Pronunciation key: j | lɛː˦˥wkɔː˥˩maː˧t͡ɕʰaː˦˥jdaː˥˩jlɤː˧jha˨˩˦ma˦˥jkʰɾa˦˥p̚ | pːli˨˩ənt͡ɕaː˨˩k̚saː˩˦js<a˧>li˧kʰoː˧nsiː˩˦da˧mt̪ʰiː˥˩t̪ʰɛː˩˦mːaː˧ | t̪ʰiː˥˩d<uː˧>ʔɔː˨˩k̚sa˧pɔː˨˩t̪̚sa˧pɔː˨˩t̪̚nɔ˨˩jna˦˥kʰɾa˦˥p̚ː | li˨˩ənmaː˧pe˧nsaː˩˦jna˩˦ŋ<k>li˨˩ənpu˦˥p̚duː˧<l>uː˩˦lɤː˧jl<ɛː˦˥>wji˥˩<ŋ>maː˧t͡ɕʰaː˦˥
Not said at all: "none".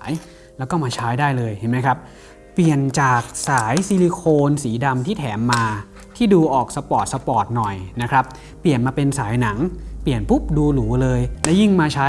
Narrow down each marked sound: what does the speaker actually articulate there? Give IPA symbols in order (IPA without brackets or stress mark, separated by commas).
i˧, uː˧, p, l, ɛ˦˥, ŋ